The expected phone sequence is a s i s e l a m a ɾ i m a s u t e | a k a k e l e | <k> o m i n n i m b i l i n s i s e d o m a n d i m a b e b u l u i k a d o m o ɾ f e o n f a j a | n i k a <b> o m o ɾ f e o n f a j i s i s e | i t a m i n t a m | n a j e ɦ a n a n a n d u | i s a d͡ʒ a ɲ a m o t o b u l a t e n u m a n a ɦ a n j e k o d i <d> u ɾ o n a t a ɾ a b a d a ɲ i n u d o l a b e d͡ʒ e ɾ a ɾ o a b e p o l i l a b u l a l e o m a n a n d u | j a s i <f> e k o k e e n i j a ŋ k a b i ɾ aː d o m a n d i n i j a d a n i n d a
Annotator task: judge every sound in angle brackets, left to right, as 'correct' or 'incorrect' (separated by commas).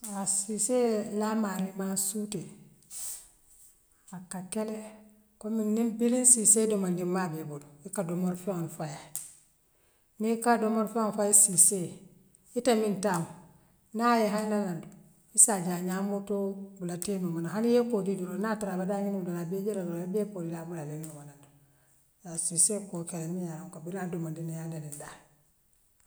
correct, incorrect, correct, incorrect